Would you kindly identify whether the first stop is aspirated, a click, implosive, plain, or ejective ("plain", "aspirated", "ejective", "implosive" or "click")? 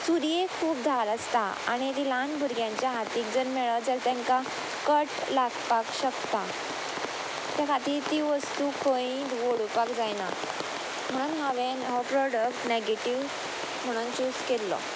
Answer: aspirated